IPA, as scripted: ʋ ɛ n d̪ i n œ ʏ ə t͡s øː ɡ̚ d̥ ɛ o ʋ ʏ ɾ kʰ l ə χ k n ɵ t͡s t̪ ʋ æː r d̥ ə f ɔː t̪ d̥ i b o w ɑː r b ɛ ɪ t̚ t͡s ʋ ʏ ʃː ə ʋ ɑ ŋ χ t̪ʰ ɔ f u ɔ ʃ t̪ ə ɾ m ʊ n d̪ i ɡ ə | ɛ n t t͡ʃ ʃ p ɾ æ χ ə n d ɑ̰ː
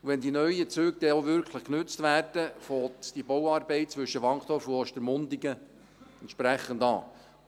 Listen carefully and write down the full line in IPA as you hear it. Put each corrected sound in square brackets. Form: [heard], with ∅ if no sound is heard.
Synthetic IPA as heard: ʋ ɛ n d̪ i n œ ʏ ə t͡s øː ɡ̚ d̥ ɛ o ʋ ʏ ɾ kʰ l ə χ k n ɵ t͡s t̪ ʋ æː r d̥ ə f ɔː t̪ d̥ i b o w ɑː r b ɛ ɪ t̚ t͡s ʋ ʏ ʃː ə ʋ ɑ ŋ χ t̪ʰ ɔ f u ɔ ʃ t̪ ə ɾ m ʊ n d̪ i ɡ ə | ɛ n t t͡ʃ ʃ p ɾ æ χ ə n d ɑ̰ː